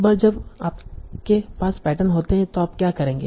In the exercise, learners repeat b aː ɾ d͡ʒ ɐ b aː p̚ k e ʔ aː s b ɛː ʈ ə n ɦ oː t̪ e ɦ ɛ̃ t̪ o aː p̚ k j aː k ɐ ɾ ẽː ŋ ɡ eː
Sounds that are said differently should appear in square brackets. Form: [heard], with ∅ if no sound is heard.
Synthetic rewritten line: b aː ɾ d͡ʒ ɐ b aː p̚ k e [p] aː s [p] ɛː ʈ ə n ɦ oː t̪ e ɦ ɛ̃ t̪ o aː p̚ k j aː k ɐ ɾ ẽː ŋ ɡ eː

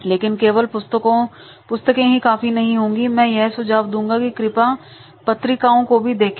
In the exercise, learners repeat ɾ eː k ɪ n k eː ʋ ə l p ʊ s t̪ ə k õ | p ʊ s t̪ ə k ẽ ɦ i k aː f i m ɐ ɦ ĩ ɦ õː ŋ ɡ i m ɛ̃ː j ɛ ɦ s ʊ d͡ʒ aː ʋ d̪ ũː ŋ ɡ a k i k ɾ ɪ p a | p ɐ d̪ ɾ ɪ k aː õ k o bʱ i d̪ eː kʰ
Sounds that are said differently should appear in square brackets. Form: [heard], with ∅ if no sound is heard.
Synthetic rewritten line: [l] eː k ɪ n k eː ʋ ə l p ʊ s t̪ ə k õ | p ʊ s t̪ ə k ẽ ɦ i k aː f i [n] ɐ ɦ ĩ ɦ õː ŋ ɡ i m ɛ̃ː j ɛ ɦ s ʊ d͡ʒ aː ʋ d̪ ũː ŋ ɡ a k i k ɾ ɪ p a | p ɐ [t̪] ɾ ɪ k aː õ k o bʱ i d̪ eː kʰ

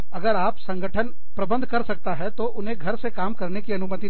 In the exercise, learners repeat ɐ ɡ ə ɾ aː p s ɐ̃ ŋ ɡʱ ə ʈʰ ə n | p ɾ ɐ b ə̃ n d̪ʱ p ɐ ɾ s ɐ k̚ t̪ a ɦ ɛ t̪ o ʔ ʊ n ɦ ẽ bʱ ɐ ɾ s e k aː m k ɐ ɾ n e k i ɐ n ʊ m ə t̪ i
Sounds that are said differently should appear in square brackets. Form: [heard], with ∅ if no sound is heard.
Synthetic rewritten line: ɐ ɡ ə ɾ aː p s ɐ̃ ŋ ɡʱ ə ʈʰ ə n | p ɾ ɐ b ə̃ n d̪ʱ [k] ɐ ɾ s ɐ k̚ t̪ a ɦ ɛ t̪ o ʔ ʊ n ɦ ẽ [ɡʱ] ɐ ɾ s e k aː m k ɐ ɾ n e k i ɐ n ʊ m ə t̪ i

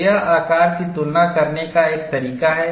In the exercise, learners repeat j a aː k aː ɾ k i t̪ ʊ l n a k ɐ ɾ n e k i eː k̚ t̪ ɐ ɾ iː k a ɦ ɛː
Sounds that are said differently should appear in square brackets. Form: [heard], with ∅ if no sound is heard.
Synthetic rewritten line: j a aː k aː ɾ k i t̪ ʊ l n a k ɐ ɾ n e k [a] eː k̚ t̪ ɐ ɾ iː k a ɦ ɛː

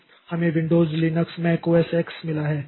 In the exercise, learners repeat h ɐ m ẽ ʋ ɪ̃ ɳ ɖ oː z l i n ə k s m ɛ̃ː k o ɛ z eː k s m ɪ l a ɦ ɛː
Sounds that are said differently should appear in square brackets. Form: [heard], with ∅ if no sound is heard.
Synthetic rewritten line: h ɐ m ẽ ʋ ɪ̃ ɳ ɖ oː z l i n ə k s m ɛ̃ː k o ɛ [s] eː k s m ɪ l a ɦ ɛː

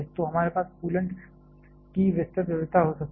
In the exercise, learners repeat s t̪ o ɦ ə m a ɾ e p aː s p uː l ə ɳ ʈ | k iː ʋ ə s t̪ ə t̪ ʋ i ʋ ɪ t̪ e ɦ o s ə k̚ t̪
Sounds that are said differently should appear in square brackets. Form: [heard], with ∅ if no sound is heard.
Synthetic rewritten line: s t̪ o ɦ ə m a ɾ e p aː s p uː l ə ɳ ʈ | k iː ʋ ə s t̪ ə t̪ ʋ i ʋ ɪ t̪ [a] ɦ o s ə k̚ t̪

